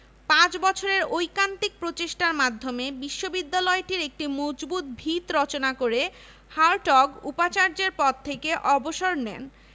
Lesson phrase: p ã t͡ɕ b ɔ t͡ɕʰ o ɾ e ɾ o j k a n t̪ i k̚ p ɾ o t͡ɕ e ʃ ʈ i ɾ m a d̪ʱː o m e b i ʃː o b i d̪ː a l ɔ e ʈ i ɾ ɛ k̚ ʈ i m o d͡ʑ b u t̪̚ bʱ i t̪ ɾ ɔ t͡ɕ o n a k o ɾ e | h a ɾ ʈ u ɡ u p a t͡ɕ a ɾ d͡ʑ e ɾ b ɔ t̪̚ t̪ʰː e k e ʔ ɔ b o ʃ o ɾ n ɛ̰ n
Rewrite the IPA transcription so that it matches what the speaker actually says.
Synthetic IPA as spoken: p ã t͡ɕ b ɔ t͡ɕʰ o ɾ e ɾ o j k a n t̪ i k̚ p ɾ o t͡ɕ e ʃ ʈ a ɾ m a d̪ʱː o m e b i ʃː o b i d̪ː a l ɔ e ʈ i ɾ e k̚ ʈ i m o d͡ʑ b u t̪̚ bʱ i t̪ ɾ ɔ t͡ɕ o n a k o ɾ e | h a ɾ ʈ ɔ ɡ u p a t͡ɕ a ɾ d͡ʑ e ɾ p ɔ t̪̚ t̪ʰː e k e ʔ ɔ b o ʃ o ɾ n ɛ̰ n